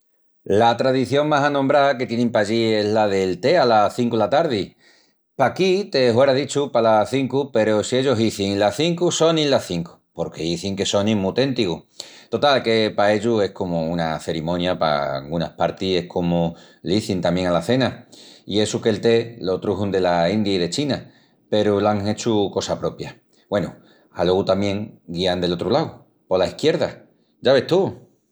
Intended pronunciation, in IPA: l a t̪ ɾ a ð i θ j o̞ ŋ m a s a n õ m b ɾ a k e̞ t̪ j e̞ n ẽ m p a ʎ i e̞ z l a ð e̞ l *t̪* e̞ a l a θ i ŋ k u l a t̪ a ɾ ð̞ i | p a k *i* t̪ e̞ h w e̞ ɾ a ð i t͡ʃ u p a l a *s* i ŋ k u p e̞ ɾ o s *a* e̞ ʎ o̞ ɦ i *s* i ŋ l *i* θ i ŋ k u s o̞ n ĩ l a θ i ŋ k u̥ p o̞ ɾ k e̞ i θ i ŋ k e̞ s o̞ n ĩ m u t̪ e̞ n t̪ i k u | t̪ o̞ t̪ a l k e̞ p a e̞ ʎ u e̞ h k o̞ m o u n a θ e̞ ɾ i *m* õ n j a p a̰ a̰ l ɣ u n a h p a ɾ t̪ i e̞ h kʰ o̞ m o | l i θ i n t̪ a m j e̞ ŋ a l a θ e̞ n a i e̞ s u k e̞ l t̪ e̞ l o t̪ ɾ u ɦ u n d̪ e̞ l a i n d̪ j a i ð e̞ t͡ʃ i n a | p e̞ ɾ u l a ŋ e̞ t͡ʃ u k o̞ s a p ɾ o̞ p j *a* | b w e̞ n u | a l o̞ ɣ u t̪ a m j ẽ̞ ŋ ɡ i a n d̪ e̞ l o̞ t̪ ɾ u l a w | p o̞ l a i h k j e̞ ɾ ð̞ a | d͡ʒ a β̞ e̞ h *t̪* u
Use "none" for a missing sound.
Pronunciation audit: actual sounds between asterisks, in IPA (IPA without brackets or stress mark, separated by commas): t̪, i, θ, i, θ, a, m, a, t̪